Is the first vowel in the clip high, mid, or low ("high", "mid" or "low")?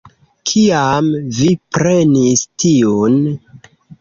high